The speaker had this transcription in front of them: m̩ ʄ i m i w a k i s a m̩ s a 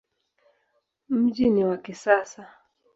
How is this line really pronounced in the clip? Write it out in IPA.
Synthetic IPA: m̩ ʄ i n i w a k i s a s a